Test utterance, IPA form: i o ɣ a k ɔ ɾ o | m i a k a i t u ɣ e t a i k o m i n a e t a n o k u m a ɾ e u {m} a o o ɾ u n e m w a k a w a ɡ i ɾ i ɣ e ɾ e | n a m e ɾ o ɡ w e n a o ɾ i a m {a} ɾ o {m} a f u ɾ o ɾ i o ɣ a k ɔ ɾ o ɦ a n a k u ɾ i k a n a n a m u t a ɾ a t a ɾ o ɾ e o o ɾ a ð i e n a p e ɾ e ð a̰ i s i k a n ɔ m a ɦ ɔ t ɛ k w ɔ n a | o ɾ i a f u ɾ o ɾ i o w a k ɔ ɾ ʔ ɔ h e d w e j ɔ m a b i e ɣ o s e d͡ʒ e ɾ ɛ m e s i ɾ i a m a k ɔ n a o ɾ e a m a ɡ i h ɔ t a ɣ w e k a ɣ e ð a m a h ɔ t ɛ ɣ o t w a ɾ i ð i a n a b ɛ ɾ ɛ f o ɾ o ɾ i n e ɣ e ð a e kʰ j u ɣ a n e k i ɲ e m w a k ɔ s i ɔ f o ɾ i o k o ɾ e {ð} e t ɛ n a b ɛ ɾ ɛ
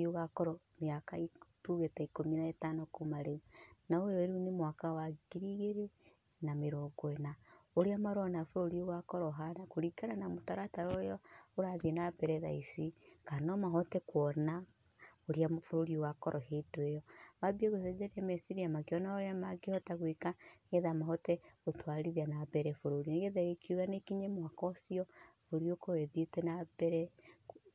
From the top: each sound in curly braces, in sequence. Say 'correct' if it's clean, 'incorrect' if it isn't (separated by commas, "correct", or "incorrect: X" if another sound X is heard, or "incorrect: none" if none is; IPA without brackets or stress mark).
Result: incorrect: n, correct, incorrect: n, correct